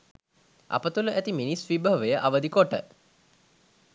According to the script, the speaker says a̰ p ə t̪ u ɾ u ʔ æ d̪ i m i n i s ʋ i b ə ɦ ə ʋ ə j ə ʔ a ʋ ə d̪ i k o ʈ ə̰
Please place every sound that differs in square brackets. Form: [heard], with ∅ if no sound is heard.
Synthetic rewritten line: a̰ p ə t̪ u [l] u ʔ æ [t̪] i m i n i s ʋ i b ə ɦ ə ʋ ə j ə ʔ a ʋ ə d̪ i k o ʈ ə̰